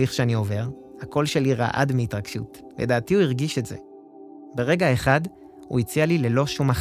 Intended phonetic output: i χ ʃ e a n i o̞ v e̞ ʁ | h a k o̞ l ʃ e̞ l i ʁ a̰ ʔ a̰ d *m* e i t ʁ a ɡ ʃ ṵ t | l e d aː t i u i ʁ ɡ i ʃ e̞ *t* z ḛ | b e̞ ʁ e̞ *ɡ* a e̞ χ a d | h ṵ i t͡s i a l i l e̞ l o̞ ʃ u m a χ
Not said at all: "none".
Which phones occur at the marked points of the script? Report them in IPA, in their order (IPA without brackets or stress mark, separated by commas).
m, t, ɡ